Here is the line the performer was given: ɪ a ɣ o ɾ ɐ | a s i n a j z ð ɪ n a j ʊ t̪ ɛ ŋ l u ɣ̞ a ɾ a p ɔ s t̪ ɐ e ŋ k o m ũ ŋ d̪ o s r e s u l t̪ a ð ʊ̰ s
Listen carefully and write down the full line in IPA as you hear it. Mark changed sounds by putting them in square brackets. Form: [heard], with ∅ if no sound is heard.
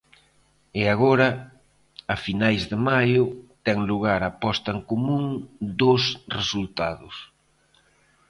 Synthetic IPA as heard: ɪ a ɣ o ɾ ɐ | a [f] i n a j z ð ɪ [m] a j ʊ t̪ ɛ ŋ l u ɣ̞ a ɾ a p ɔ s t̪ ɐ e ŋ k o m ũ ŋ d̪ o s r e s u l t̪ a ð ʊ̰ s